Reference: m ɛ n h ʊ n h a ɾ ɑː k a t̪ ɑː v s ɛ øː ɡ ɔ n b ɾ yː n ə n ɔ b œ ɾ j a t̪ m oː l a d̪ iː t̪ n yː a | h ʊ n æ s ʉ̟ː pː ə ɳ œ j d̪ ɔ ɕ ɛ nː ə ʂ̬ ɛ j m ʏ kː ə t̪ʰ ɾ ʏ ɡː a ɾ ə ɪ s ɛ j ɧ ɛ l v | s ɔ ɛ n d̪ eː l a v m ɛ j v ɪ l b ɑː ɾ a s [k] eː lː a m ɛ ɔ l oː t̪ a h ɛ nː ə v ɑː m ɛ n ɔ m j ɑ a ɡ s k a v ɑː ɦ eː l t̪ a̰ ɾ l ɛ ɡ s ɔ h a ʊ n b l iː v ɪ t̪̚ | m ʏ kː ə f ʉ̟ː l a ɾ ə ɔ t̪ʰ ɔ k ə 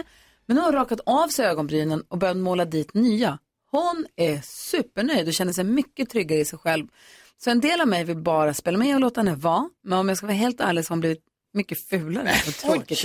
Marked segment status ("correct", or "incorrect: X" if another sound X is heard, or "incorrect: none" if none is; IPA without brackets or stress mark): incorrect: p